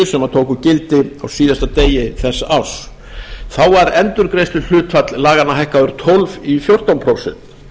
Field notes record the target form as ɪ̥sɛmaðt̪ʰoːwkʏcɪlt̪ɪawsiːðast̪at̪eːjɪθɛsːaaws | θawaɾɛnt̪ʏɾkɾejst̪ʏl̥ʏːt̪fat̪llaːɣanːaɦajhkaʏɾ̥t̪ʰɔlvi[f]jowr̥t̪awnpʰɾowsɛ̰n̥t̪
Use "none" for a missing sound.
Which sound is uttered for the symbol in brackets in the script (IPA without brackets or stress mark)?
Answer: f